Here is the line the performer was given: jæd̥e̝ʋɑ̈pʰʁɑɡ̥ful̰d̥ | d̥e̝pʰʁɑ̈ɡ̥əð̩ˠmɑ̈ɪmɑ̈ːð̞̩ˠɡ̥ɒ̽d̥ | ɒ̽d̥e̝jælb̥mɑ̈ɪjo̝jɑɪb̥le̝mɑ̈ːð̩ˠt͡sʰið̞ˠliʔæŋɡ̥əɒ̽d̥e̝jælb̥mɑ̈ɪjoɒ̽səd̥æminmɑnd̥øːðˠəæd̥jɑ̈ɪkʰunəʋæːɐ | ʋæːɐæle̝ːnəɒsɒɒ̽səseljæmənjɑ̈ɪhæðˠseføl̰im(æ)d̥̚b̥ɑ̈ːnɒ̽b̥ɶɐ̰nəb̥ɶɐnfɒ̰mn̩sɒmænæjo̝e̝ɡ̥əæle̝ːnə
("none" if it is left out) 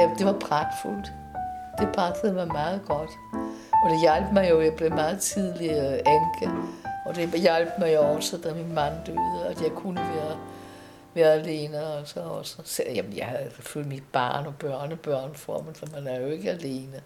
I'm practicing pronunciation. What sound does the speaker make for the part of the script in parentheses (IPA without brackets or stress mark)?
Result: i